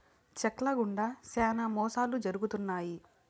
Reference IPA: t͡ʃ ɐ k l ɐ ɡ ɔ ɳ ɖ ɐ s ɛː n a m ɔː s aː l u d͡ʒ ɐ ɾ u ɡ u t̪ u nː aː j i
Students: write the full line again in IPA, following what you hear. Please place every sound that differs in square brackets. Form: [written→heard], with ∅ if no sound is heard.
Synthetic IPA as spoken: t͡ʃ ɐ k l ɐ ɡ [ɔ→u] ɳ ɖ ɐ s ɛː n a m ɔː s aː l u d͡ʒ ɐ ɾ u ɡ u t̪ u nː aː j i